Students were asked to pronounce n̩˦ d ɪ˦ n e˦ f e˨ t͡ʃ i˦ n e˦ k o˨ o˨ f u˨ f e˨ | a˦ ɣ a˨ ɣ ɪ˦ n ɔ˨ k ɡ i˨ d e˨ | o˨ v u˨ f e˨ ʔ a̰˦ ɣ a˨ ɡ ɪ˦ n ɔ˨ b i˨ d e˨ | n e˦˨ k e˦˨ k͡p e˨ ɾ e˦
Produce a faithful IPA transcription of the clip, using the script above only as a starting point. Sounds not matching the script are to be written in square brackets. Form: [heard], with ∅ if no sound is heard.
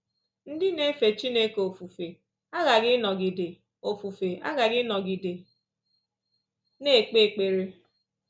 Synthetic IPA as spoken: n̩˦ d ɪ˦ n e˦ f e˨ t͡ʃ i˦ n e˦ k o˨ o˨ f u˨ f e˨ | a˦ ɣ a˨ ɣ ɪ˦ n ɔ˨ [∅] ɡ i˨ d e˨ | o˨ [f] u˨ f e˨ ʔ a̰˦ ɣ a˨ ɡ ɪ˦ n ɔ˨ [ɡ] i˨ d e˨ | n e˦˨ [k͡p] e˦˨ k͡p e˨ ɾ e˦